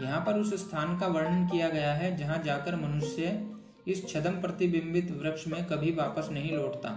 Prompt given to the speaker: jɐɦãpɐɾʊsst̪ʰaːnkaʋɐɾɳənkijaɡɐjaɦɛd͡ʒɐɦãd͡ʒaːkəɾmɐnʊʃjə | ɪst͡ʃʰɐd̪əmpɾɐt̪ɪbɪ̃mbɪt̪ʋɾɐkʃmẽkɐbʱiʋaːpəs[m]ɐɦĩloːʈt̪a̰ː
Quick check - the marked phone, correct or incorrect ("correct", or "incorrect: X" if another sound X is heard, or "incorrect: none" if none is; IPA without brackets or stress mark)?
incorrect: n